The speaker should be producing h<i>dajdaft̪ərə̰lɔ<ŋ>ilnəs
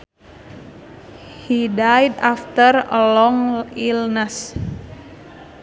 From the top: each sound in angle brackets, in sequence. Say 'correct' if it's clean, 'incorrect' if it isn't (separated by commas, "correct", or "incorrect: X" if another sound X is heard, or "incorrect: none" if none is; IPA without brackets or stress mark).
correct, correct